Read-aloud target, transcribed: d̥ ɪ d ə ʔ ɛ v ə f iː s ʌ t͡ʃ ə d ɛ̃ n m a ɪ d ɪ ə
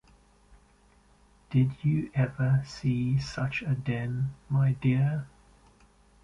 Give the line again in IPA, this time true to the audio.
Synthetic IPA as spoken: d̥ ɪ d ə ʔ ɛ v ə s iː s ʌ t͡ʃ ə d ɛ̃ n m a ɪ d ɪ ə